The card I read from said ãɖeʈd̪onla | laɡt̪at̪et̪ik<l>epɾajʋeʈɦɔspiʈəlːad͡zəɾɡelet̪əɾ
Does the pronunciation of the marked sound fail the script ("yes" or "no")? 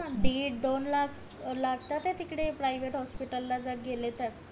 yes